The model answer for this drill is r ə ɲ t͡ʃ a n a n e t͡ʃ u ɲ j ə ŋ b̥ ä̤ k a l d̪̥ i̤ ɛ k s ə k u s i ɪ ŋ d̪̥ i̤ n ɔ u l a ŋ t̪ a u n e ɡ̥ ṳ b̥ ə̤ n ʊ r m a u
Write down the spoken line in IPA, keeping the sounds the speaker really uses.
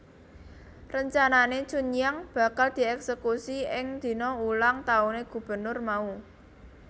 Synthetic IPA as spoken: r ə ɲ t͡ʃ a n a n e t͡ʃ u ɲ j a ŋ b̥ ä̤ k a l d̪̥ i̤ ɛ k s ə k u s i ɪ ŋ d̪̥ i̤ n ɔ u l a ŋ t̪ a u n e ɡ̥ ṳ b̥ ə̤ n ʊ r m a u